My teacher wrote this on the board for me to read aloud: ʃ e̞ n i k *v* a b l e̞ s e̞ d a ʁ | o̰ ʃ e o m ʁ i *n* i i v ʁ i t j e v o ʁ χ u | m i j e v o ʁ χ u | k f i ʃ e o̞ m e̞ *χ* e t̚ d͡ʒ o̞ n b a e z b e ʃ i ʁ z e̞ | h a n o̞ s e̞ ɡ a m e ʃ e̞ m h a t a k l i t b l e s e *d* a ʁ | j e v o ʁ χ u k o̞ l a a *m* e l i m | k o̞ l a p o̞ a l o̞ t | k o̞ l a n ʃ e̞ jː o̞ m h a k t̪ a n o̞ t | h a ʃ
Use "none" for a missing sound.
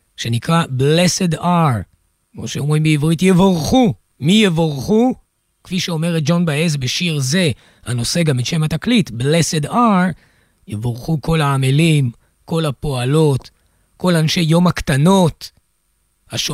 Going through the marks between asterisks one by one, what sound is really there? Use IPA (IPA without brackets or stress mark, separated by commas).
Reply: ʁ, m, ʁ, d, m